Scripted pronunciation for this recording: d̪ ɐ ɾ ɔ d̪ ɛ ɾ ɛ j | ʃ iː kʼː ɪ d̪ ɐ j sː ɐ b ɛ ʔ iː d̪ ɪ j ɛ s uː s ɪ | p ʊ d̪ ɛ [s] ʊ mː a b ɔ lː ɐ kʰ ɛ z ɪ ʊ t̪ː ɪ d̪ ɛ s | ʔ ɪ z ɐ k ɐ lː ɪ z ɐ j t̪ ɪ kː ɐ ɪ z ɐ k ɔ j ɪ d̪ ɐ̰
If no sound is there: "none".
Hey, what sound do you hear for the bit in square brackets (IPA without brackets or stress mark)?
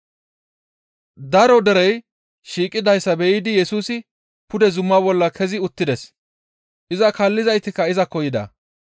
z